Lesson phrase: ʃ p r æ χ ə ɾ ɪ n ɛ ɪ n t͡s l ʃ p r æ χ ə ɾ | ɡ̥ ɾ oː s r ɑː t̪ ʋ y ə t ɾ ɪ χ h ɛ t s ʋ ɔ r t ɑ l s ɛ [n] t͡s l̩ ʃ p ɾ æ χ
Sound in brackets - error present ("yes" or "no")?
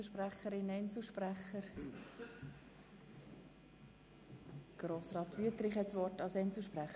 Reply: no